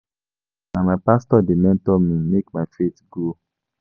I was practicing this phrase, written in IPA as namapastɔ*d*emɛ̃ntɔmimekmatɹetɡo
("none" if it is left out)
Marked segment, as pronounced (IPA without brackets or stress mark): d